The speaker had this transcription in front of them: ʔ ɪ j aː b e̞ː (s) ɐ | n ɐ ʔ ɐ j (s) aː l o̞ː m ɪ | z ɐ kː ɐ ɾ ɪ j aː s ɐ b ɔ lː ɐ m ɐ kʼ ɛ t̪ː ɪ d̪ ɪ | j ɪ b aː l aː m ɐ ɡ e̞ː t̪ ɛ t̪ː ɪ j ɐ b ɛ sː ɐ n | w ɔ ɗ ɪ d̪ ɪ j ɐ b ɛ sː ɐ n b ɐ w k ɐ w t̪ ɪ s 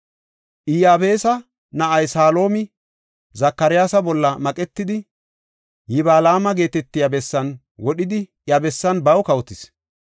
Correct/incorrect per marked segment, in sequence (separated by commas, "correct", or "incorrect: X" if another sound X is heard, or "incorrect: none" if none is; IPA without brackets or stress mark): correct, correct